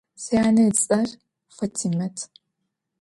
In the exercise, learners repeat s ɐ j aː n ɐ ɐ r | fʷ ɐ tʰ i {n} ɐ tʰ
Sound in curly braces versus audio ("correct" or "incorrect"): incorrect